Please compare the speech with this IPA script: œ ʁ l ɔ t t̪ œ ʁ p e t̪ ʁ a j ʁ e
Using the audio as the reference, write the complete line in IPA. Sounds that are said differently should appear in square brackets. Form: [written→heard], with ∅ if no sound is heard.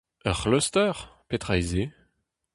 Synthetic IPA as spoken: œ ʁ l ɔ [t→s] t̪ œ ʁ p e t̪ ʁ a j [ʁ→z] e